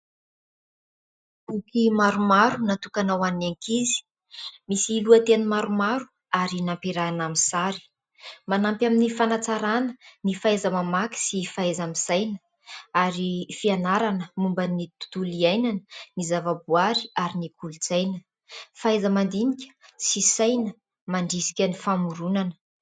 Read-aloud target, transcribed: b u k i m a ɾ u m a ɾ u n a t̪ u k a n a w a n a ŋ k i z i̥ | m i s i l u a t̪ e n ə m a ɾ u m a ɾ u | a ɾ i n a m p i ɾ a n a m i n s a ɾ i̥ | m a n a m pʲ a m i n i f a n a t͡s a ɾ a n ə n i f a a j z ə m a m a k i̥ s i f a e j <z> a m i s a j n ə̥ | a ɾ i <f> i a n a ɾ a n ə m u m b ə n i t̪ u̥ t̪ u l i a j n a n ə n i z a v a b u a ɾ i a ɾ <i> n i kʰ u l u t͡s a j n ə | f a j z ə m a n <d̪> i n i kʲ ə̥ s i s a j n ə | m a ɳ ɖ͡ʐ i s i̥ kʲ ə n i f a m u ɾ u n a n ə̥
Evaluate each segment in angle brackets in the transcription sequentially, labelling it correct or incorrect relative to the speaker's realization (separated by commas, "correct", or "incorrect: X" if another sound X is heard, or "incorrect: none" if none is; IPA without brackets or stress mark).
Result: correct, correct, correct, correct